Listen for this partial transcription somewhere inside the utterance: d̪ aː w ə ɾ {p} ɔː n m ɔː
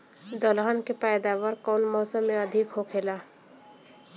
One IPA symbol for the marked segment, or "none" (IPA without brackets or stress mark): k